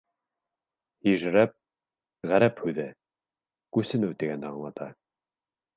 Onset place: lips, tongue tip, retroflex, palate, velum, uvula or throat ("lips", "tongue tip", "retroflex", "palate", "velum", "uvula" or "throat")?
throat